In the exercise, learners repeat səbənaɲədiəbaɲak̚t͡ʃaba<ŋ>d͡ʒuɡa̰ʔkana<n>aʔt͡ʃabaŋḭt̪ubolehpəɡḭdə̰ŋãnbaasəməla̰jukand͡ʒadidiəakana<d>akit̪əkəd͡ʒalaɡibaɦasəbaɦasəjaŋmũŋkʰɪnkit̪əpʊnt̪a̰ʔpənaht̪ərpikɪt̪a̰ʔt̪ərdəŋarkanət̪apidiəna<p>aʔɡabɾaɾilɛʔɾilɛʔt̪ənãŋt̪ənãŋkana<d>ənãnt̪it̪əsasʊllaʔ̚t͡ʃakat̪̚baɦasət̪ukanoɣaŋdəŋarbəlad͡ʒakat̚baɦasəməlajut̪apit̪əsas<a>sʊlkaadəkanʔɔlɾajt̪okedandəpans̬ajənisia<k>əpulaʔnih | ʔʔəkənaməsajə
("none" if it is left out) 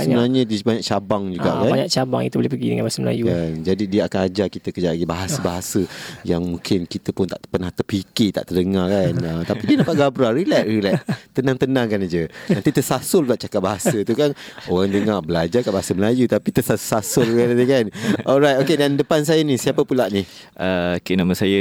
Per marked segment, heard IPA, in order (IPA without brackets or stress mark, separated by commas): ŋ, ɲ, d͡ʒ, p, d͡ʒ, a, p